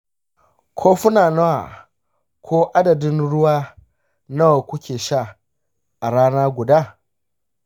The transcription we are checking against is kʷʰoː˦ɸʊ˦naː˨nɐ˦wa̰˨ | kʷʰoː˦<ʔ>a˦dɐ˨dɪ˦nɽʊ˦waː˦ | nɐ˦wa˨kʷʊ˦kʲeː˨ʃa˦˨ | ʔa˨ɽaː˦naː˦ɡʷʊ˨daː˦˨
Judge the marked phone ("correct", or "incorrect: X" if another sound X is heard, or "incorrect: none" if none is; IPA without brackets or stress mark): correct